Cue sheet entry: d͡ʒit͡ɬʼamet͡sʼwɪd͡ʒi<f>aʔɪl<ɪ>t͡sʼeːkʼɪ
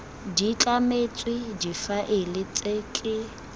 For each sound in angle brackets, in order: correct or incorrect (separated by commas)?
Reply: correct, correct